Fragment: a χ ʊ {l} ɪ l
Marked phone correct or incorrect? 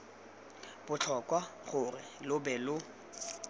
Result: incorrect